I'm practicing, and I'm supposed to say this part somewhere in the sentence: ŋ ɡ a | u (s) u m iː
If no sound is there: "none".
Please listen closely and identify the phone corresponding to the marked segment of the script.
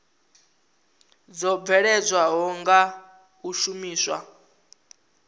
ʃ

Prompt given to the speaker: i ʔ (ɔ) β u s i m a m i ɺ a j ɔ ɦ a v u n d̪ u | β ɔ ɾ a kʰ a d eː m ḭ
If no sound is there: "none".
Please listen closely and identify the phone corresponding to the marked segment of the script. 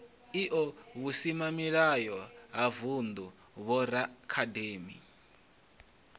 ɔ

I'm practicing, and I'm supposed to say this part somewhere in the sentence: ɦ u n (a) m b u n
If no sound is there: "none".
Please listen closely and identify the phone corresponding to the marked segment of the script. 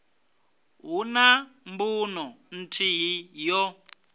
a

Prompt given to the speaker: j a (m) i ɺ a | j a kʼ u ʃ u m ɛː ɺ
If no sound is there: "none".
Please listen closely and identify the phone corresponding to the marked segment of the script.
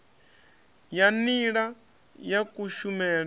n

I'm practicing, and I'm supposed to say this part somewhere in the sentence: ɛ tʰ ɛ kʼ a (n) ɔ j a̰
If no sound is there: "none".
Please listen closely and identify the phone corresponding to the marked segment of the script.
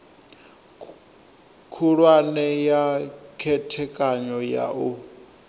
ɲ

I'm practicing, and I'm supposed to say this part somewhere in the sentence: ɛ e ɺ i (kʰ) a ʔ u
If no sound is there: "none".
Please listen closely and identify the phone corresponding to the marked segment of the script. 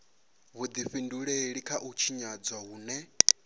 kʰ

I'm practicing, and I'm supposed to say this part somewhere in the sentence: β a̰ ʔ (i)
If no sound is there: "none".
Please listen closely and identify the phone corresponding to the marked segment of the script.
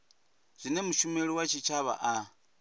a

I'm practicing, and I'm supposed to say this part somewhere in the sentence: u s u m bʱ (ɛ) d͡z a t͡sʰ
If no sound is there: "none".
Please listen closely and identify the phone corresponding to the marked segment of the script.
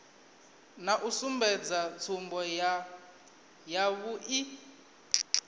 ɛ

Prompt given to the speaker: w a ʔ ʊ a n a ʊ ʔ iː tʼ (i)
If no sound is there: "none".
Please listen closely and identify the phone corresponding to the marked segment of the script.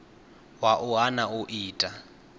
a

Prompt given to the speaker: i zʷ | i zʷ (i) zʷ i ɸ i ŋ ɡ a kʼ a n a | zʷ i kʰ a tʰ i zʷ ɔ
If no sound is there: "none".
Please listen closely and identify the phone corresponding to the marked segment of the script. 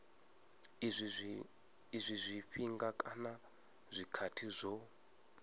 i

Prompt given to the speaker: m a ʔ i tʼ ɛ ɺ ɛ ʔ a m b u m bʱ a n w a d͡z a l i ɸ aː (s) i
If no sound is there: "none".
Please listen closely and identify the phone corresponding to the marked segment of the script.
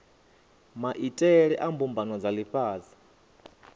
z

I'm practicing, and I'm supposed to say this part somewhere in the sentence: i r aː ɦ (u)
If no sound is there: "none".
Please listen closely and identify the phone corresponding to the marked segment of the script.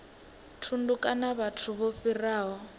ɔ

